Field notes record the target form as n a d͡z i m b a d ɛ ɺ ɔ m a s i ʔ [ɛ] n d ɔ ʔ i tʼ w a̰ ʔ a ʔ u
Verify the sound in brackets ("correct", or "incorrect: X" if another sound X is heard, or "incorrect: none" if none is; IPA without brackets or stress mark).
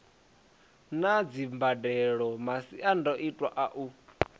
incorrect: a